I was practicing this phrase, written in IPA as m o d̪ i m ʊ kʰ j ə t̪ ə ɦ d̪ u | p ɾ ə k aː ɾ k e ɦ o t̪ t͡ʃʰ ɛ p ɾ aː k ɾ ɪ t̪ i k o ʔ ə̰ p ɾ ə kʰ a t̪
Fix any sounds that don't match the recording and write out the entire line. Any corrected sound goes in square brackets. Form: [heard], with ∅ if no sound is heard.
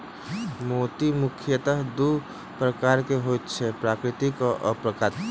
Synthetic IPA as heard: m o [t̪] i m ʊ kʰ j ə t̪ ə ɦ d̪ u | p ɾ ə k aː ɾ k e ɦ o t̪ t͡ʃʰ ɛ p ɾ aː k ɾ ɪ t̪ i k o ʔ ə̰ p ɾ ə [k] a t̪